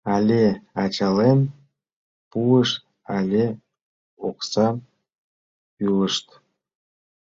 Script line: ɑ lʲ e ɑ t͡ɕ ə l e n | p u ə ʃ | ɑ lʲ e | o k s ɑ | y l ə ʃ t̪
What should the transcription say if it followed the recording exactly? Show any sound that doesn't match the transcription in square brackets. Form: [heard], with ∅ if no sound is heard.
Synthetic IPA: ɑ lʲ e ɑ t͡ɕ [ɑ] l e n | p u ə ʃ | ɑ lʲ e | o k s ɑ | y l ə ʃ t̪